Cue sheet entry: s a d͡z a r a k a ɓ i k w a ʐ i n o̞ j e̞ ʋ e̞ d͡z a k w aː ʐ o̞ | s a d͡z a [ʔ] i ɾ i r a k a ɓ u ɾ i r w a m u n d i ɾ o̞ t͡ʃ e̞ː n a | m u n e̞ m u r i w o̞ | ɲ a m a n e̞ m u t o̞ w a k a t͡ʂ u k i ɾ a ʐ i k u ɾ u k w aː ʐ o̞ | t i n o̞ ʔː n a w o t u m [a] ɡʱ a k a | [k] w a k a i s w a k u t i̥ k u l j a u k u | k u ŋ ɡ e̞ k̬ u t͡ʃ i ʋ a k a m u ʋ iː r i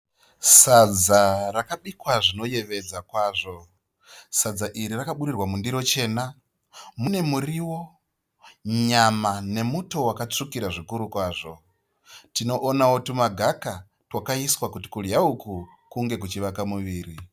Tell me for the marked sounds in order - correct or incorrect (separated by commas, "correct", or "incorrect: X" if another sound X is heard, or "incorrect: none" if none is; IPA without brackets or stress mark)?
correct, correct, incorrect: t